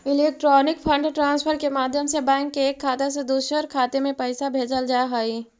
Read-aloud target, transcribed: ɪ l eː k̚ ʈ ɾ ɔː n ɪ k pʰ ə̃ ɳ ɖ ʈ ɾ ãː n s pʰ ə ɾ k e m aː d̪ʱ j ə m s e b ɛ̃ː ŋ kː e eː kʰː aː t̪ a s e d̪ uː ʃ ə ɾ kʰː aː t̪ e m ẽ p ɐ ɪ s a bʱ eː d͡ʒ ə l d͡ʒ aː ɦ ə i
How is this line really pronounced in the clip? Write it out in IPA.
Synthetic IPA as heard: ɪ l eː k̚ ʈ ɾ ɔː n ɪ k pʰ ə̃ ɳ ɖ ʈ ɾ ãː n s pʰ ə ɾ k e m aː d̪ʱ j ə m s e b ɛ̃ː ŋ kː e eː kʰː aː t̪ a s e d̪ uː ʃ ə ɾ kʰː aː t̪ e m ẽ p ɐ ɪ s a bʱ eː d͡ʒ ə l d͡ʒ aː ɦ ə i